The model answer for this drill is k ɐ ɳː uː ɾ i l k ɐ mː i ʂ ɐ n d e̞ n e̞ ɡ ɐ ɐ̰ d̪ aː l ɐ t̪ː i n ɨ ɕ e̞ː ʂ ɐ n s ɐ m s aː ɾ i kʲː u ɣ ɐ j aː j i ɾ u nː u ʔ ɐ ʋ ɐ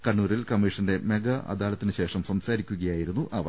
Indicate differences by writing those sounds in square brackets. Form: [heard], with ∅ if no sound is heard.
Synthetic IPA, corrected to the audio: k ɐ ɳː uː ɾ i l k ɐ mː i ʂ ɐ n d e̞ [m] e̞ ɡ ɐ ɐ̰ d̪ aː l ɐ t̪ː i n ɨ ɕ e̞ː ʂ ɐ [m] s ɐ m s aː ɾ i kʲː u ɣ ɐ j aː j i ɾ u nː u ʔ ɐ ʋ ɐ

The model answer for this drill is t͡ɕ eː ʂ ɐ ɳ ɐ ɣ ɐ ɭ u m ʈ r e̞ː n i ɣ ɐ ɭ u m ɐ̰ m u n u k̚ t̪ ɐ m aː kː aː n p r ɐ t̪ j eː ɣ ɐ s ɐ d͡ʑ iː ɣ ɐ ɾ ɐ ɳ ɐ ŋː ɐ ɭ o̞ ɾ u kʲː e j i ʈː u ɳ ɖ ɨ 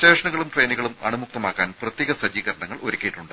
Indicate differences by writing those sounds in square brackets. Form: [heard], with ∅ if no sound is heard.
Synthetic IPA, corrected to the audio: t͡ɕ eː ʂ ɐ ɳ ɐ ɣ ɐ ɭ u m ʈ r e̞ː n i ɣ ɐ ɭ u m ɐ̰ [ɳ] u [m] u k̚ t̪ ɐ m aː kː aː n p r ɐ t̪ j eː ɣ ɐ s ɐ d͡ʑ iː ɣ ɐ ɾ ɐ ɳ ɐ ŋː ɐ ɭ o̞ ɾ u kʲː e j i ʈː u ɳ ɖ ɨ

